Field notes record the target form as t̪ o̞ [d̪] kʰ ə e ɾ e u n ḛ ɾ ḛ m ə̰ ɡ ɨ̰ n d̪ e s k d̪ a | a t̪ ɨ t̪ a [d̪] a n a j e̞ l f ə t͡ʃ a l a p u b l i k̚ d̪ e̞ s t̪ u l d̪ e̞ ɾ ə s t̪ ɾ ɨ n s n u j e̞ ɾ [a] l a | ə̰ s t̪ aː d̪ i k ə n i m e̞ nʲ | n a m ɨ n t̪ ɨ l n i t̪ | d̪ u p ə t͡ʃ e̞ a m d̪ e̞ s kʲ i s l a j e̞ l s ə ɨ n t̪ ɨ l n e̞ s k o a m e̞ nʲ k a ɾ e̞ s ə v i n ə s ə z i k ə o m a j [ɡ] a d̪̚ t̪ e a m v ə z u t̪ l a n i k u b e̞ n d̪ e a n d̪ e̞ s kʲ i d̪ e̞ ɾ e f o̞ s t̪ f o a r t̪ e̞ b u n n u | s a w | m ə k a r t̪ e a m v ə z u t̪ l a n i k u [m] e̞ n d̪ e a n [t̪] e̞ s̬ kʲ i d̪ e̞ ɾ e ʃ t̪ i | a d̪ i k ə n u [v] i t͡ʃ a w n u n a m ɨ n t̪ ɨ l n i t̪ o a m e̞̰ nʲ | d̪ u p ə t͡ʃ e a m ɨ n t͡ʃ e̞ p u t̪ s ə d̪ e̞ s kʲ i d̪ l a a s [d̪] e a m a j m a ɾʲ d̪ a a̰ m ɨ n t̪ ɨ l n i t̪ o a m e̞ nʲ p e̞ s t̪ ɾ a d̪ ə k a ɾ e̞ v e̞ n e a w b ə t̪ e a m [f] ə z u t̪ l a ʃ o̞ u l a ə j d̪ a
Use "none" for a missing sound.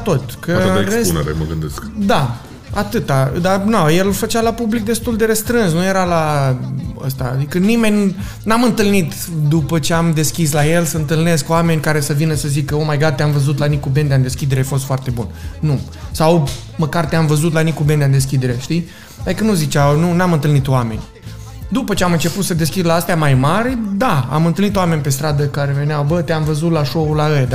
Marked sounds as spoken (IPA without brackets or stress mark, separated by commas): t̪, d̪, a, ɡ, b, d̪, z, t̪, v